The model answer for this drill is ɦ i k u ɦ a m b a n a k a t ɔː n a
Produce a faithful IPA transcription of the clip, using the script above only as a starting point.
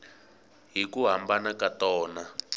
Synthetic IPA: ɦ i k u ɦ a m b a n a k a t ɔː n a